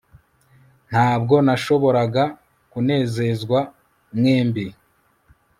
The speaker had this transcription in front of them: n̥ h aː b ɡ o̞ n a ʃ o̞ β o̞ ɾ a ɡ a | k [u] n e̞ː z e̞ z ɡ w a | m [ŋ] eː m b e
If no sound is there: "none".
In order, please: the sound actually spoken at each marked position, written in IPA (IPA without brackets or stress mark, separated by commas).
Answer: u, ŋ